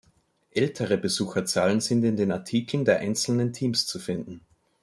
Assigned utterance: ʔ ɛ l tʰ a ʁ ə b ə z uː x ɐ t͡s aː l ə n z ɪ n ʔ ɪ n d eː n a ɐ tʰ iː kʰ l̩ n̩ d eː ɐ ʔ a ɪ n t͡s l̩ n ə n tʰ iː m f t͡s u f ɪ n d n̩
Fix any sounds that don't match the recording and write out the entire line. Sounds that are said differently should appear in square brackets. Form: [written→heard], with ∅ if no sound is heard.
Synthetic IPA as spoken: ʔ ɛ l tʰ [a→ə] ʁ ə b ə z uː x ɐ t͡s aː l ə n z ɪ n [ʔ→t] ɪ n d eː n a ɐ tʰ iː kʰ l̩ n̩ d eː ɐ ʔ a ɪ n t͡s l̩ n ə n tʰ iː m [f→s] t͡s u f ɪ n d n̩